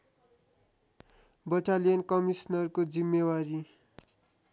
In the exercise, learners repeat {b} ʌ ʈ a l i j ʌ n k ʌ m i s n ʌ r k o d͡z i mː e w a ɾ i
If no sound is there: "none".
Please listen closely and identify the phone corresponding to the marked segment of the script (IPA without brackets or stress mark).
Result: b